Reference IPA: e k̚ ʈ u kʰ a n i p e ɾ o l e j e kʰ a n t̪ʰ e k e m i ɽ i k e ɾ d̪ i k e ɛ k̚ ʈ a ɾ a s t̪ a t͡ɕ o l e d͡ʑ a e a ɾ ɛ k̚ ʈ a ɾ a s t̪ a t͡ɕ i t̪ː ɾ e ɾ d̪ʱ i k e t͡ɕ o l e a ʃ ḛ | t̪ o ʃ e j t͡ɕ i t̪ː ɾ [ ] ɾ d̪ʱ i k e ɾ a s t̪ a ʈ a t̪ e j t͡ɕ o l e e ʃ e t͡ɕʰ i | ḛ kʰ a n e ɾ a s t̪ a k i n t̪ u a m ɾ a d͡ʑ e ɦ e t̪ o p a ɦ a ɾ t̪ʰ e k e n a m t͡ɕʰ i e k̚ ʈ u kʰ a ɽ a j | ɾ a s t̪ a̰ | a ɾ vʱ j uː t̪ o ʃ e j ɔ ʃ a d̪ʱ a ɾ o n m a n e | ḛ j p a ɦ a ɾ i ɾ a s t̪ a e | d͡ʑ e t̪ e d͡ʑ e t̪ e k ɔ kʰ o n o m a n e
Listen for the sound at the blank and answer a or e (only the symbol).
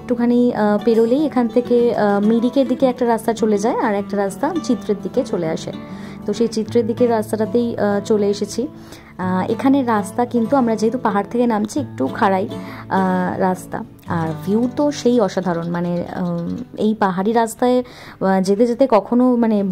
e